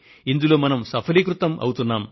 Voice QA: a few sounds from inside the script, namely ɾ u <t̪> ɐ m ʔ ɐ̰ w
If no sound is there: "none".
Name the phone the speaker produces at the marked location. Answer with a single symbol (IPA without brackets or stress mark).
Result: t̪